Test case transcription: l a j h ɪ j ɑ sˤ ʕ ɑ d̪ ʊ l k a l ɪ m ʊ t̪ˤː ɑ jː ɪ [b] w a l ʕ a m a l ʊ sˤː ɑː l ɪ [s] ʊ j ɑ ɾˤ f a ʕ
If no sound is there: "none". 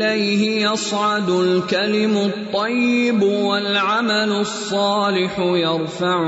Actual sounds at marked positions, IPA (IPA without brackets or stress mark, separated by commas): b, ħ